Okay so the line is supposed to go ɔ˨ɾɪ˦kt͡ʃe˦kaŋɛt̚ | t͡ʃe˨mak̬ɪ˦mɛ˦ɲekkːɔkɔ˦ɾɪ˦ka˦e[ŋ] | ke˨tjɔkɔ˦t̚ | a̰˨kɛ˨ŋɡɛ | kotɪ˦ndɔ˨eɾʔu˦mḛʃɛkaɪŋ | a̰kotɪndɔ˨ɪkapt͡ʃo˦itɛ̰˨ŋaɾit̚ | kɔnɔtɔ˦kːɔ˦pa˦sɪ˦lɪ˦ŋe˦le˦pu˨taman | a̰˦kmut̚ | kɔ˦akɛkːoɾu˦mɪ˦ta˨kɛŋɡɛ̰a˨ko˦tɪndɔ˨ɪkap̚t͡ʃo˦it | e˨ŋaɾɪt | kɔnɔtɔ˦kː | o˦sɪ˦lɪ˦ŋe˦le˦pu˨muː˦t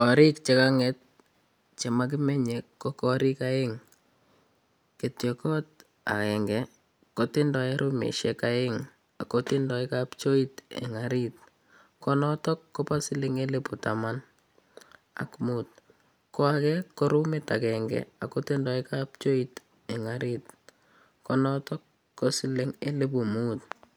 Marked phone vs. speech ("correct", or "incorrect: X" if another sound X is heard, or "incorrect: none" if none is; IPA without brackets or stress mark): correct